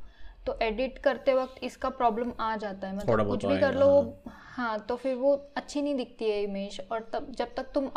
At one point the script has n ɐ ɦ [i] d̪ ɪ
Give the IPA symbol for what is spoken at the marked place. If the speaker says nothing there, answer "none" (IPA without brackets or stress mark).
ĩ